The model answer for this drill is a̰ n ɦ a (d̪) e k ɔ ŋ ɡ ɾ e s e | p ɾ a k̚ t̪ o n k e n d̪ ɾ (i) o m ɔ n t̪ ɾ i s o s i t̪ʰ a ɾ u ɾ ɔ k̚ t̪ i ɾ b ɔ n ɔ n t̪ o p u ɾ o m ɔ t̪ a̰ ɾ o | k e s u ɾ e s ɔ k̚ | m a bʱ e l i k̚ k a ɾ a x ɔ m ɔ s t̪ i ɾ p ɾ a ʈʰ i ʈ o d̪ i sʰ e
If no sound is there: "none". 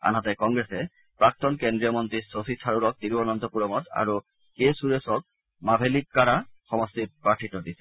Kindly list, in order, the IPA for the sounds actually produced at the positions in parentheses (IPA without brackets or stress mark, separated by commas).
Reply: t̪, i